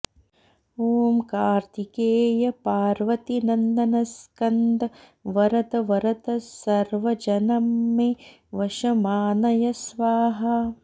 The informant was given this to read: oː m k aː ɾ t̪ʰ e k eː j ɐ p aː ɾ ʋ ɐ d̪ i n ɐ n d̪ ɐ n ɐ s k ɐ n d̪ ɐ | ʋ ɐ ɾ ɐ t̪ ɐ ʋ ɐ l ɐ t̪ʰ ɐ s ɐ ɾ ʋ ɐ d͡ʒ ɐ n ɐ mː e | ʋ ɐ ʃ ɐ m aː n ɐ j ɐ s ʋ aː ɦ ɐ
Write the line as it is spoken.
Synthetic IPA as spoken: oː m k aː ɾ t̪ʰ i k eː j ɐ p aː ɾ ʋ ɐ t̪ i n ɐ n d̪ ɐ n ɐ s k ɐ n d̪ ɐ | ʋ ɐ ɾ ɐ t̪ ɐ ʋ ɐ ɾ ɐ t̪ ɐ s ɐ ɾ ʋ ɐ d͡ʒ ɐ n ɐ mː e | ʋ ɐ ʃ ɐ m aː n ɐ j ɐ s ʋ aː ɦ ɐ